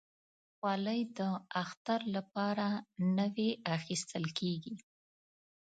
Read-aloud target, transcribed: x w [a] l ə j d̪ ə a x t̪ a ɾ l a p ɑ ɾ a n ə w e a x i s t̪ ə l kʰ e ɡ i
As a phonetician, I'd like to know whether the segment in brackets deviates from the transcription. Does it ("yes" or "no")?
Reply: yes